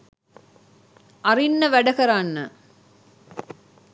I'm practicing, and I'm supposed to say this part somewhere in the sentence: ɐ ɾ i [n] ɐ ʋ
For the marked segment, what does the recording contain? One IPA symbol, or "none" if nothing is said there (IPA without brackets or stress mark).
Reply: nː